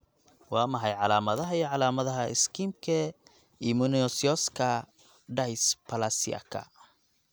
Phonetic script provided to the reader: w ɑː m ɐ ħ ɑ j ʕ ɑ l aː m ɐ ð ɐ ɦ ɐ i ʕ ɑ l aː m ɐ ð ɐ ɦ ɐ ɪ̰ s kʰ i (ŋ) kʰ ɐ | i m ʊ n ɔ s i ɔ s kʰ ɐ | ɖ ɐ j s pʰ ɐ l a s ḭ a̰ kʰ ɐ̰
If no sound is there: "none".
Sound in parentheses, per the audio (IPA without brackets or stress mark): m